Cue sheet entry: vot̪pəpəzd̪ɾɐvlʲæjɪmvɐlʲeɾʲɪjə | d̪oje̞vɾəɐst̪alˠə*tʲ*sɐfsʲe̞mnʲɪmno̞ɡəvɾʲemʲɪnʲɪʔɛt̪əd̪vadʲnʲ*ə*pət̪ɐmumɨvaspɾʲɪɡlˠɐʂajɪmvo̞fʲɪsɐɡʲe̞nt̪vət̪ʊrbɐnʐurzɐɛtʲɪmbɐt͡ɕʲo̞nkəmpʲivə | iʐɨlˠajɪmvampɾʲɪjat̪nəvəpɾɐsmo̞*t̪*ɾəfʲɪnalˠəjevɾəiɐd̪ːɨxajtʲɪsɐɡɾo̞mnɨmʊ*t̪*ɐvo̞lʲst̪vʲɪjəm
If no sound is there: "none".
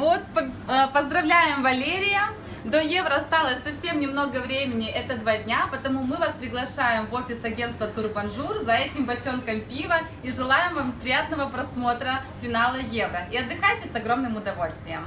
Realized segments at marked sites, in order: sʲ, a, t̪, d̪

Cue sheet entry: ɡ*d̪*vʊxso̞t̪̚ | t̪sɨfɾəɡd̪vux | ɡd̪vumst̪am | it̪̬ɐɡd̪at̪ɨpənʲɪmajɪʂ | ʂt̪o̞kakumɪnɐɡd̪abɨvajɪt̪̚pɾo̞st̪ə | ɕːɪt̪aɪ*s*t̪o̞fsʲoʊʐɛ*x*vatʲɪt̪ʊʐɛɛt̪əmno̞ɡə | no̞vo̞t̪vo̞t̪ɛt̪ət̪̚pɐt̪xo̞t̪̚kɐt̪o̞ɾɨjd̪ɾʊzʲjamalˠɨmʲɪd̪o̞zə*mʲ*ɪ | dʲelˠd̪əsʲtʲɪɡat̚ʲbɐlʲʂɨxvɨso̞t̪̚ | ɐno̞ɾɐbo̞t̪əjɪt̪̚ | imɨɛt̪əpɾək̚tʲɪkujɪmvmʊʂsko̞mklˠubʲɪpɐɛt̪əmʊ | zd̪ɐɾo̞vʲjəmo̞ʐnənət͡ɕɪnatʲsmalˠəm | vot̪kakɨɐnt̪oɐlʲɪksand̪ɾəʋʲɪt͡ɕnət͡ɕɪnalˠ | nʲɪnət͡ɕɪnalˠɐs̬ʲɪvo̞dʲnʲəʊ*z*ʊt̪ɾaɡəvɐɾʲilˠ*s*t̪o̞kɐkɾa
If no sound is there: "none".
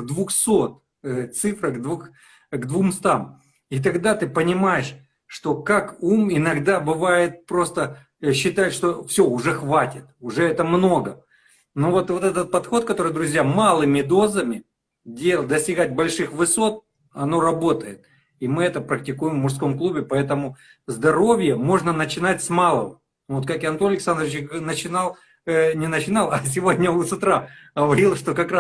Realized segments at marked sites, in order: d̪, ʂ, x, mʲ, s, ʂ

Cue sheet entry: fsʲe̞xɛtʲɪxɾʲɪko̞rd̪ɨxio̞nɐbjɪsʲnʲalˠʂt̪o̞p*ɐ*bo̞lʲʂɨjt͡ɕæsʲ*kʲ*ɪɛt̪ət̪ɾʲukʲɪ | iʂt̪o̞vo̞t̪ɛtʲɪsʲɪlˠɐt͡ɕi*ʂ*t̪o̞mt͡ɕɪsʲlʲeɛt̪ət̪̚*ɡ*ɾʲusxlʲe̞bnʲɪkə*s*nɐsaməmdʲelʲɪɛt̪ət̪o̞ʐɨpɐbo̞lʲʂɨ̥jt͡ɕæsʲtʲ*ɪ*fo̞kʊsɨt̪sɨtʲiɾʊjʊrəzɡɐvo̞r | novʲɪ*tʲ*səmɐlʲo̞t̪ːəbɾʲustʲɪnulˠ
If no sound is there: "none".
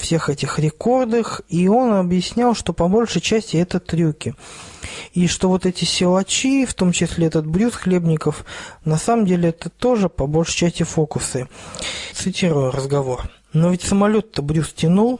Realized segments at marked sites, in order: ɐ, tʲ, f, b, f, ɪ, tʲ

